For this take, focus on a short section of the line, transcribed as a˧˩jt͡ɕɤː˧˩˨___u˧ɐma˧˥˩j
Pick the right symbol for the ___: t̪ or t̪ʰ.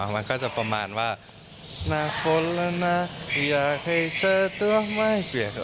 t̪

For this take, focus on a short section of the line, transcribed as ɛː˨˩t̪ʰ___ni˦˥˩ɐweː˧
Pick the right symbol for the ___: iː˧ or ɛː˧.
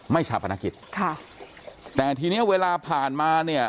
iː˧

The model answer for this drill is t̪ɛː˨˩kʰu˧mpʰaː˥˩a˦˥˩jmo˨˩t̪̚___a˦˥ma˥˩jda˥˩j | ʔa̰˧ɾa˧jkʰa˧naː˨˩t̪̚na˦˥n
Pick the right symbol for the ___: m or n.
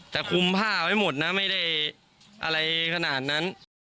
n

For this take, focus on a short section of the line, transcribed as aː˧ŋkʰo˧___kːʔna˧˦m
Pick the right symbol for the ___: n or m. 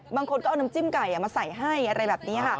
n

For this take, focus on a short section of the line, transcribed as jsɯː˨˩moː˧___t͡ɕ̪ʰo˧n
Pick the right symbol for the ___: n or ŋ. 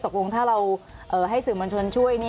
n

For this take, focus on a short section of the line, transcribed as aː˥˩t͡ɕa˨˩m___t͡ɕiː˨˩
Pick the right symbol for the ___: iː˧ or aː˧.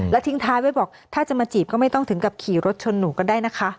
aː˧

